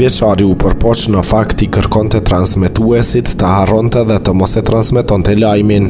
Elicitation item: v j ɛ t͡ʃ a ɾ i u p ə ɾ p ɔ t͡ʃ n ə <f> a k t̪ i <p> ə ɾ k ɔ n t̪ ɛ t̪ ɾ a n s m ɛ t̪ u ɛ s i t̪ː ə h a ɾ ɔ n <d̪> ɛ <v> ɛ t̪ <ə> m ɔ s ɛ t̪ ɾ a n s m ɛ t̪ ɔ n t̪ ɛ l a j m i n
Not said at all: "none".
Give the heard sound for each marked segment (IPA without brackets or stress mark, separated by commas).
f, k, t̪, ð, ə